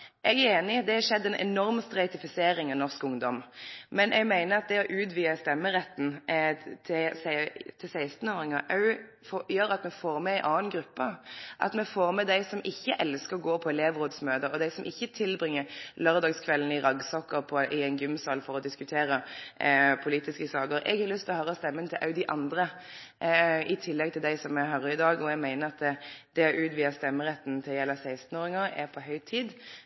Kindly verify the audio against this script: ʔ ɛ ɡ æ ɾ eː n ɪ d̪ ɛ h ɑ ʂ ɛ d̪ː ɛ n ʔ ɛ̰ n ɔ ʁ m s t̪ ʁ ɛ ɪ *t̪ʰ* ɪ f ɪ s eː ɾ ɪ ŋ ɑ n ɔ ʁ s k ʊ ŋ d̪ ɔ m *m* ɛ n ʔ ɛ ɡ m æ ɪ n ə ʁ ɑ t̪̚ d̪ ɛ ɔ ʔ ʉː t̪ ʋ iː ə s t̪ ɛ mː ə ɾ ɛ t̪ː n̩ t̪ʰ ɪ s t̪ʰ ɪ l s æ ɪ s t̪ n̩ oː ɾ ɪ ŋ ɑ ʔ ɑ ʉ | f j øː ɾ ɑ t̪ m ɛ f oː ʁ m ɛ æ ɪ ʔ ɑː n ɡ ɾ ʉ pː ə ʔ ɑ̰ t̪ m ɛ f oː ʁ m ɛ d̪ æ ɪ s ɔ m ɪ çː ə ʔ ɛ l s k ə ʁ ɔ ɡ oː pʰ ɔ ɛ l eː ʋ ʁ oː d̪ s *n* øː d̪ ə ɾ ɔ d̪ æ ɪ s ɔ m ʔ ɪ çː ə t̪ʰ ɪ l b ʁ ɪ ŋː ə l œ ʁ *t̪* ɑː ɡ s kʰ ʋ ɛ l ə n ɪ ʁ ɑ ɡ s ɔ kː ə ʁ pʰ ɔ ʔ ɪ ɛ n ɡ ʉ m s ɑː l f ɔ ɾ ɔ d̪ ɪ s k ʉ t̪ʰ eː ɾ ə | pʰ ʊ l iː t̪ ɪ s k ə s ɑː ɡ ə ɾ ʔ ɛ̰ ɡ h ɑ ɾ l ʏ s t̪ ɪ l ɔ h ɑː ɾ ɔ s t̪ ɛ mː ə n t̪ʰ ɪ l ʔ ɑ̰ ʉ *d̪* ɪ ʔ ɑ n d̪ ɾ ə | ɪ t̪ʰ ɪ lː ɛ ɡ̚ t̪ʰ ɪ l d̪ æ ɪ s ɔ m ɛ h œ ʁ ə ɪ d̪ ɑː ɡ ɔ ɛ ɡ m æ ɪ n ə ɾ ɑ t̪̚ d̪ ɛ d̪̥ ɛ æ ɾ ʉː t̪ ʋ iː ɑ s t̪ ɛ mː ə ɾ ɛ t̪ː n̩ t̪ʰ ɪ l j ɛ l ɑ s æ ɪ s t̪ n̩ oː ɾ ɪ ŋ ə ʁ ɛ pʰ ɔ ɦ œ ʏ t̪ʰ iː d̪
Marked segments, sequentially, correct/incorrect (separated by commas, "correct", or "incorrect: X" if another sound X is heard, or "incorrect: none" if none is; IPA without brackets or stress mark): incorrect: t̪, correct, incorrect: m, incorrect: d̪, correct